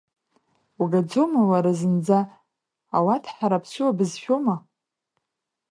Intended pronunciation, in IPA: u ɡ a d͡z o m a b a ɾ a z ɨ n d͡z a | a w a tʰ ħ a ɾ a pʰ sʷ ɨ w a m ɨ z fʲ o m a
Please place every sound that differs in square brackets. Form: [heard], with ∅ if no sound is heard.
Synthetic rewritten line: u ɡ a d͡z o m a [w] a ɾ a z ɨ n d͡z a | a w a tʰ ħ a ɾ a pʰ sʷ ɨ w a [b] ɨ z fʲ o m a

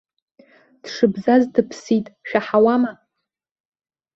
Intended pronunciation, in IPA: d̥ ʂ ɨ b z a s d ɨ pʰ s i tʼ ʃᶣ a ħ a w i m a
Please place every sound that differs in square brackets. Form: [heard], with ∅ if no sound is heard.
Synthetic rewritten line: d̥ ʂ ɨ b z a [z] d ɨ pʰ s i tʼ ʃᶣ a ħ a w [a] m a

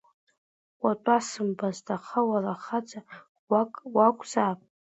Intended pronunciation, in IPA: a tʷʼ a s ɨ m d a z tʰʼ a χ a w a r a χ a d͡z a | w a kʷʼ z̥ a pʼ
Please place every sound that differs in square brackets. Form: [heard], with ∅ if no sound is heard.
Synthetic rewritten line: a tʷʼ a s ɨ m [b] a z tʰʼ a χ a w a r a χ a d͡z a | w a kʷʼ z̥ a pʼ

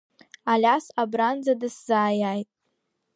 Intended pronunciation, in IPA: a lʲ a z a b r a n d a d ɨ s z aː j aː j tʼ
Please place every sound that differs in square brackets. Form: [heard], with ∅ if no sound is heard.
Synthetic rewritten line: a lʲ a [s] a b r a n [d͡z] a d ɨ s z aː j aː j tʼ

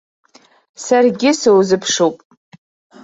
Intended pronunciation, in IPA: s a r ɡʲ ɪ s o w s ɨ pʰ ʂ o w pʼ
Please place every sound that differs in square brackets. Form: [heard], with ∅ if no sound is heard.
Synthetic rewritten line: s a r ɡʲ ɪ s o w [z] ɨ pʰ ʂ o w pʼ

